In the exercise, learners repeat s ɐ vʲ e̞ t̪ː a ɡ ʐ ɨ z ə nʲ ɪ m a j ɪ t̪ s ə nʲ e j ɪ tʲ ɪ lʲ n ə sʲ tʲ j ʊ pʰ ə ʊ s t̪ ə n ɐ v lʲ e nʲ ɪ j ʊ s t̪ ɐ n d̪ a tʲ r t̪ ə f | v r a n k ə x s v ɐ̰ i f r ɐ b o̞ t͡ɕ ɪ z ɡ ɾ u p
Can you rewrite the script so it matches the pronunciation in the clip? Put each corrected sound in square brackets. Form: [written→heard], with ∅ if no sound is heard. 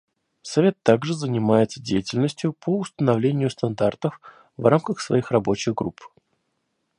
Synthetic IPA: s ɐ vʲ e̞ t̪ː a ɡ ʐ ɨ z ə nʲ ɪ m a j ɪ t̪ s ə [nʲ→dʲ] e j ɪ tʲ ɪ lʲ n ə sʲ tʲ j ʊ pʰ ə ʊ s t̪ ə n ɐ v lʲ e nʲ ɪ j ʊ s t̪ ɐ n d̪ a [tʲ→∅] r t̪ ə f | v r a [n→m] k ə x s v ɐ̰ i [f→x] r ɐ b o̞ t͡ɕ ɪ [z→ɣ] ɡ ɾ u p